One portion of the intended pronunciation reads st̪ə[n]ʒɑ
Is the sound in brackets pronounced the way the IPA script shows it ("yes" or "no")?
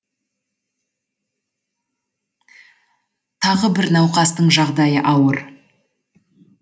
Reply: no